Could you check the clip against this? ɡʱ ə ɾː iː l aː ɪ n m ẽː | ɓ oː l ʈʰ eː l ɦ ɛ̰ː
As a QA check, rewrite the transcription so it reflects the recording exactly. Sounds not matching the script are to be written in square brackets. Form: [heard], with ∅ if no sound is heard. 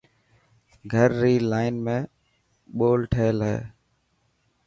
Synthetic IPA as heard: ɡʱ ə ɾː iː l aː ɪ n m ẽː | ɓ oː l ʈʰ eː l ɦ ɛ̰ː